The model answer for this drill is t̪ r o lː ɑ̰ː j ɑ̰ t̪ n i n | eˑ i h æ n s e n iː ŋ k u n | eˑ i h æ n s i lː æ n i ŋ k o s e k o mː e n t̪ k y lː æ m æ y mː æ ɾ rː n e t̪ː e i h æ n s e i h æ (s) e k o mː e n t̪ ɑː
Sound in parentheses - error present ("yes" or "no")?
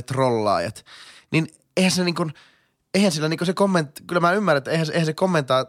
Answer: no